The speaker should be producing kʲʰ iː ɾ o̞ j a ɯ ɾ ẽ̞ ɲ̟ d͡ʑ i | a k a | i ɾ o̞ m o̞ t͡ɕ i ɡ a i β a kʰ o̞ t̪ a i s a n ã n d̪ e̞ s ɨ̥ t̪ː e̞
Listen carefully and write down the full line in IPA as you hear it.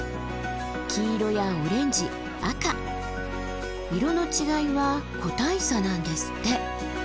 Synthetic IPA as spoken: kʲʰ iː ɾ o̞ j a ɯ ɾ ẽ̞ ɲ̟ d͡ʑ i | a k a | i ɾ o̞ n o̞ t͡ɕ i ɡ a i β a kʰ o̞ t̪ a i s a n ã n d̪ e̞ s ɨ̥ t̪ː e̞

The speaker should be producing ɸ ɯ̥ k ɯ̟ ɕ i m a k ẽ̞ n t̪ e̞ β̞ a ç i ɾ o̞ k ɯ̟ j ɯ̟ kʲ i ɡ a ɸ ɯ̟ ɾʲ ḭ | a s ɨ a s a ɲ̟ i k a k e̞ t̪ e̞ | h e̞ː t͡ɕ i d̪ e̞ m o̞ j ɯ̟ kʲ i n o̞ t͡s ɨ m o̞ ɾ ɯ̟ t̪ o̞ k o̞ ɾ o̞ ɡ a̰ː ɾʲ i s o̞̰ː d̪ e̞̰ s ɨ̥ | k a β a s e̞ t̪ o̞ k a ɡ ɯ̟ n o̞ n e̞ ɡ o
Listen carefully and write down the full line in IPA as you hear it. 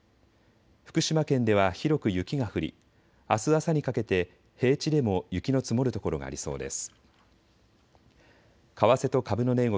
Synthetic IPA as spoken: ɸ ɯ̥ k ɯ̟ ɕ i m a k ẽ̞ n d̪ e̞ β̞ a ç i ɾ o̞ k ɯ̟ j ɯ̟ kʲ i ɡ a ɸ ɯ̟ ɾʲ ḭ | a s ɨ a s a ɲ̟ i k a k e̞ t̪ e̞ | h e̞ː t͡ɕ i d̪ e̞ m o̞ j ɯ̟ kʲ i n o̞ t͡s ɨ m o̞ ɾ ɯ̟ t̪ o̞ k o̞ ɾ o̞ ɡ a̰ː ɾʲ i s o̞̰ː d̪ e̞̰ s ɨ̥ | k a β a s e̞ t̪ o̞ k a b ɯ̟ n o̞ n e̞ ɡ o

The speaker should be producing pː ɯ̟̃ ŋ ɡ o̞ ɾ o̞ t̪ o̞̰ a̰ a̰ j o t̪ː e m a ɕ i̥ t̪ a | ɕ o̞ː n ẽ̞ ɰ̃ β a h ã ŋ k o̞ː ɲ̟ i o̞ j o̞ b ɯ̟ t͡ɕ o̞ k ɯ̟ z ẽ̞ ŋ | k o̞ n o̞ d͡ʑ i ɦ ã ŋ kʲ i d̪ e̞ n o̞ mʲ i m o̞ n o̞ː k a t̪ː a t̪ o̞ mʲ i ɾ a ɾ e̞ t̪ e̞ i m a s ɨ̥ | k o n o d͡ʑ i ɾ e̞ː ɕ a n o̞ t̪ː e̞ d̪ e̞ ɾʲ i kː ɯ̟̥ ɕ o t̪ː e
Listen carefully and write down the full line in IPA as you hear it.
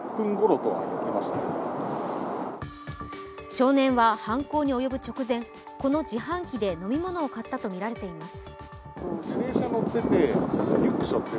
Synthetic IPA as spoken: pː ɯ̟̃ ŋ ɡ o̞ ɾ o̞ t̪ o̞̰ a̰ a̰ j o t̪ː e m a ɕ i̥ t̪ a | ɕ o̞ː n ẽ̞ ɰ̃ β a h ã ŋ k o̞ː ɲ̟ i o̞ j o̞ b ɯ̟ t͡ɕ o̞ k ɯ̟ z ẽ̞ ŋ | k o̞ n o̞ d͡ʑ i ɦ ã ŋ kʲ i d̪ e̞ n o̞ mʲ i m o̞ n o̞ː k a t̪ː a t̪ o̞ mʲ i ɾ a ɾ e̞ t̪ e̞ i m a s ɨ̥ | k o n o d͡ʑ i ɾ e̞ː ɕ a n o̞ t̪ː e̞ t̪ e̞ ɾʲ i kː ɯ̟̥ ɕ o t̪ː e

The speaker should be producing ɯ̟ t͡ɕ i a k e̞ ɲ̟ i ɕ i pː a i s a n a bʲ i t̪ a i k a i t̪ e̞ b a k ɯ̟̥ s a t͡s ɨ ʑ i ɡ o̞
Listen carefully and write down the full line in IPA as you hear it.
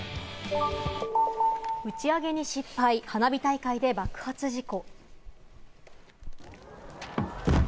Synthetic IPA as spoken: ɯ̟ t͡ɕ i a ɡ e̞ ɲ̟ i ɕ i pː a i h a n a bʲ i t̪ a i k a i d̪ e̞ b a k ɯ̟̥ h a t͡s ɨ ʑ i k o̞

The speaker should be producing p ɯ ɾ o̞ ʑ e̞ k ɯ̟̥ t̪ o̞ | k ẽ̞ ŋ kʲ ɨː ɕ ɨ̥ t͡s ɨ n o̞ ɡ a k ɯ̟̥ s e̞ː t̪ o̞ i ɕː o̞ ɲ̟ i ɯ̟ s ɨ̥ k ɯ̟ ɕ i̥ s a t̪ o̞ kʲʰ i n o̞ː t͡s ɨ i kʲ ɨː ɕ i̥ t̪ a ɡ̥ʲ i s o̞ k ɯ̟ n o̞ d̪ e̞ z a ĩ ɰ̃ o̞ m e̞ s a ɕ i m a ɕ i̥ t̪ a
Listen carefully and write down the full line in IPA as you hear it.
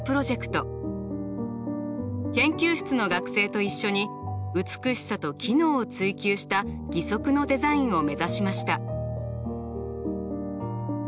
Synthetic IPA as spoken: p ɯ ɾ o̞ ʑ e̞ k ɯ̟̥ t̪ o̞ | k ẽ̞ ŋ kʲ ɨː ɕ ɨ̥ t͡s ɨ n o̞ ɡ a k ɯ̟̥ s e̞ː t̪ o̞ i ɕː o̞ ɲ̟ i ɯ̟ t͡s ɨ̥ k ɯ̟ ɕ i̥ s a t̪ o̞ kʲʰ i n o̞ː t͡s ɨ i kʲ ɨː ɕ i̥ t̪ a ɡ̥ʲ i s o̞ k ɯ̟ n o̞ d̪ e̞ z a ĩ ɰ̃ o̞ m e̞ z a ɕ i m a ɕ i̥ t̪ a

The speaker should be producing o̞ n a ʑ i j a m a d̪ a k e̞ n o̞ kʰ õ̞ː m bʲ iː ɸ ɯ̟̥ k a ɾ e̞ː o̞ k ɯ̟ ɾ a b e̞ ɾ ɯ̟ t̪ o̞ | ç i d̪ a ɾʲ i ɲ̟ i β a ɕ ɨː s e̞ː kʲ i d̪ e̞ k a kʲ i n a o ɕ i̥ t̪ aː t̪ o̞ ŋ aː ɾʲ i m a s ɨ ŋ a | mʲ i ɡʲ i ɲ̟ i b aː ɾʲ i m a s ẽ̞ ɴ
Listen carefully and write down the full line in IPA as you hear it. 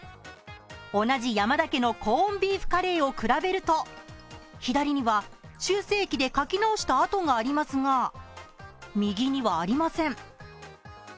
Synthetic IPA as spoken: o̞ n a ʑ i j a m a d̪ a k e̞ n o̞ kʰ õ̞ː m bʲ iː ɸ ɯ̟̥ k a ɾ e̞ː o̞ k ɯ̟ ɾ a b e̞ ɾ ɯ̟ t̪ o̞ | ç i d̪ a ɾʲ i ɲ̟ i β a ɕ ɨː s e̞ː kʲ i d̪ e̞ k a kʲ i n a o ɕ i̥ t̪ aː t̪ o̞ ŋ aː ɾʲ i m a s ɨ ŋ a | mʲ i ɡʲ i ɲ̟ i β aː ɾʲ i m a s ẽ̞ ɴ

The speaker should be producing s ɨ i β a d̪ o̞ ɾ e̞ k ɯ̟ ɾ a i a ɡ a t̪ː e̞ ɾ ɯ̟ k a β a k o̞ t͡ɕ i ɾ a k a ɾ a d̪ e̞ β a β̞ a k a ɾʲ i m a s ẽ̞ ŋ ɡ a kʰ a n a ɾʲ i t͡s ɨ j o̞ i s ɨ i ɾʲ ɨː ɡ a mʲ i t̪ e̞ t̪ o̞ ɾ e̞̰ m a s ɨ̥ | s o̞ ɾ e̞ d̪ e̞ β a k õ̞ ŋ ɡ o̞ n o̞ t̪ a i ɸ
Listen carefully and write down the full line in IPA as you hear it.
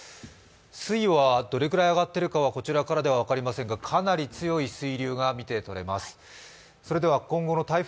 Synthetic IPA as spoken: s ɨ i β a d̪ o̞ ɾ e̞ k ɯ̟ ɾ a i a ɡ a t̪ː e̞ ɾ ɯ̟ k a β a k o̞ t͡ɕ i ɾ a k a ɾ a d̪ e̞ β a β̞ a k a ɾʲ i m a s ẽ̞ ŋ ɡ a kʰ a n a ɾʲ i t͡s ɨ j o̞ i s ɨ i ɾʲ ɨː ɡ a mʲ i t̪ e̞ t̪ o̞ ɾ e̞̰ m a s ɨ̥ | s o̞ ɾ e̞ d̪ e̞ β a k õ̞ ŋ ɡ o̞ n o̞ t̪ a i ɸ

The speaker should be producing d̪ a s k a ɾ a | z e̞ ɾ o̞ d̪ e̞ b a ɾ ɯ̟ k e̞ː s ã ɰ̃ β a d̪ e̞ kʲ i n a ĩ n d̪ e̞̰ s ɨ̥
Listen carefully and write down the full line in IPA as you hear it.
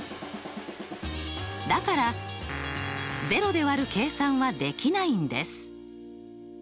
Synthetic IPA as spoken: d̪ a k a ɾ a | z e̞ ɾ o̞ d̪ e̞ β a ɾ ɯ̟ k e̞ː s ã ɰ̃ β a d̪ e̞ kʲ i n a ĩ n d̪ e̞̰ s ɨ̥

